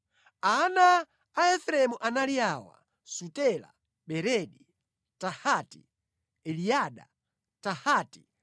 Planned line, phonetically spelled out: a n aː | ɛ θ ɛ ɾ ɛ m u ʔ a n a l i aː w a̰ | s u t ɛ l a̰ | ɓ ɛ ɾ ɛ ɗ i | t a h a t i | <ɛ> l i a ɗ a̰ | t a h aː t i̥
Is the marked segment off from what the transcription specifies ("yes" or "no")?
no